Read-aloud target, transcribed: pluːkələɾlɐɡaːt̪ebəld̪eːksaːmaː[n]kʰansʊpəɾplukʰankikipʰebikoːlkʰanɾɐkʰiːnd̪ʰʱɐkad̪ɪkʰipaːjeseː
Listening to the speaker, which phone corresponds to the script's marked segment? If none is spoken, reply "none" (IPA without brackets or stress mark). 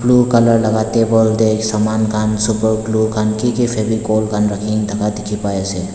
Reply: n